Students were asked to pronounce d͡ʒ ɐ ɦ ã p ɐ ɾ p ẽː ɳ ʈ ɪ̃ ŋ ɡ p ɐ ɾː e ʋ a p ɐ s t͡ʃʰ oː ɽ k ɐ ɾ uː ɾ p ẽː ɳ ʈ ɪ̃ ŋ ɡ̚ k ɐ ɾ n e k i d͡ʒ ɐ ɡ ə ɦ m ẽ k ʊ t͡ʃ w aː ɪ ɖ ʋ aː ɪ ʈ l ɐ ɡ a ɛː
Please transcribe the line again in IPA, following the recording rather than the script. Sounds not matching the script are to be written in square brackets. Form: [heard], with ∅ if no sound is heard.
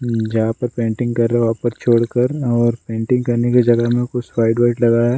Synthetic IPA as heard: d͡ʒ ɐ ɦ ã p ɐ ɾ p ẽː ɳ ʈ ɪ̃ ŋ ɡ [k] ɐ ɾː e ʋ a p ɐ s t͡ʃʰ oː ɽ k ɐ ɾ [ɔː] ɾ p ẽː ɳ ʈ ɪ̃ ŋ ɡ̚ k ɐ ɾ n e k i d͡ʒ ɐ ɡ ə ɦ m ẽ k ʊ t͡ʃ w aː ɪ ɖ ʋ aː ɪ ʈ l ɐ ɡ a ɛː